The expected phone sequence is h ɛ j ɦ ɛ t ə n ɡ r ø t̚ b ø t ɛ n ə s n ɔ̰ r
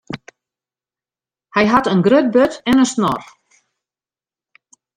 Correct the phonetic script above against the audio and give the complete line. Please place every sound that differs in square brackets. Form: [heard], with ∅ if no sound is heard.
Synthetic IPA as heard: h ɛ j ɦ [a] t ə n ɡ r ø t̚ b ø t ɛ n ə s n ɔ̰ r